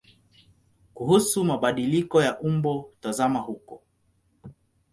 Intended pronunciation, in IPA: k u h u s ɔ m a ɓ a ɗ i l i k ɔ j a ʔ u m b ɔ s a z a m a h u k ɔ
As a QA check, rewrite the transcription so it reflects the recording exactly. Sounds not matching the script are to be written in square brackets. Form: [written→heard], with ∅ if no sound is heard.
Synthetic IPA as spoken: k u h u s [ɔ→u] m a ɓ a ɗ i l i k ɔ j a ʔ u m b ɔ [s→t] a z a m a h u k ɔ